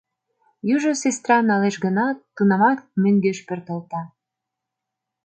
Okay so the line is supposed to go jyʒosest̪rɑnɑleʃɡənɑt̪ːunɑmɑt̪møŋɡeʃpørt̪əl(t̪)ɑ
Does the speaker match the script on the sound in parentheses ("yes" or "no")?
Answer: yes